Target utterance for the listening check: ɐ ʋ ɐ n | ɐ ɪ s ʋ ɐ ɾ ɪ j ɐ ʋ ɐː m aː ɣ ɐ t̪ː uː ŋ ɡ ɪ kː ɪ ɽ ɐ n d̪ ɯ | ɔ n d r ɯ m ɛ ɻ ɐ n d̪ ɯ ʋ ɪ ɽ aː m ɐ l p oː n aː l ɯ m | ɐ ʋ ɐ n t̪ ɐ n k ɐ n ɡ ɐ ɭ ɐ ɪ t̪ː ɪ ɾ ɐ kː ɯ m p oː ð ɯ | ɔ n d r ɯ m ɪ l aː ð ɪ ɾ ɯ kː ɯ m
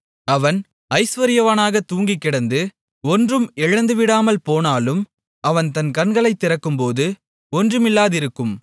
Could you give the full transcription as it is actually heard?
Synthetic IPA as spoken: ɐ ʋ ɐ n | ɐ ɪ s ʋ ɐ ɾ ɪ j ɐ ʋ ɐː n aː ɣ ɐ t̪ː uː ŋ ɡ ɪ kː ɪ ɽ ɐ n d̪ ɯ | ɔ n d r ɯ m ɛ ɻ ɐ n d̪ ɯ ʋ ɪ ɽ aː m ɐ l p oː n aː l ɯ m | ɐ ʋ ɐ n t̪ ɐ n k ɐ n ɡ ɐ ɭ ɐ ɪ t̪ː ɪ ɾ ɐ kː ɯ m p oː ð ɯ | ɔ n d r ɯ m ɪ lː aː ð ɪ ɾ ɯ kː ɯ m